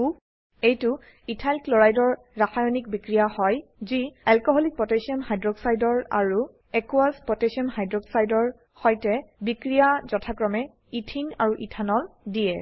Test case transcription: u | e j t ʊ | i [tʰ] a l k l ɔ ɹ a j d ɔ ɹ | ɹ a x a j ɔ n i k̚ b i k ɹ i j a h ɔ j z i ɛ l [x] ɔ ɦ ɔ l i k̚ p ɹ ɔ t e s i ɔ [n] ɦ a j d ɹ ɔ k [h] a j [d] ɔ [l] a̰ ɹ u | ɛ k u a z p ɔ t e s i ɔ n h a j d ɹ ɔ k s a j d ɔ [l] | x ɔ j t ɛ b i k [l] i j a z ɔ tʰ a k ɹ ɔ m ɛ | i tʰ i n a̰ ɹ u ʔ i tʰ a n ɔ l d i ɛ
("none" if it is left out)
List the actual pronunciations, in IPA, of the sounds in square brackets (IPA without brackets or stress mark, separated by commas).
tʰ, k, n, s, d, ɹ, ɹ, ɹ